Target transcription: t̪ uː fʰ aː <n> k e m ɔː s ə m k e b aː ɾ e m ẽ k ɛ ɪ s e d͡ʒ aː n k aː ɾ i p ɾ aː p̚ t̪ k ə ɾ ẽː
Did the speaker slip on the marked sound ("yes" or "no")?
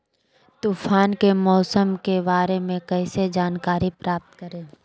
no